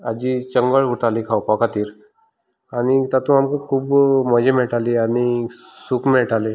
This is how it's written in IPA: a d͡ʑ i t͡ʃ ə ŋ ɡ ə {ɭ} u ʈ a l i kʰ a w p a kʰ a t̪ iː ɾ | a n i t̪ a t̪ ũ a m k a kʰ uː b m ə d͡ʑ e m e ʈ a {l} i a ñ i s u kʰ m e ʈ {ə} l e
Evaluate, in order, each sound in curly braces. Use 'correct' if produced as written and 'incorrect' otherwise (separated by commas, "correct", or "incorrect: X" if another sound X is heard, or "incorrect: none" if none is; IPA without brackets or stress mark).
correct, correct, incorrect: a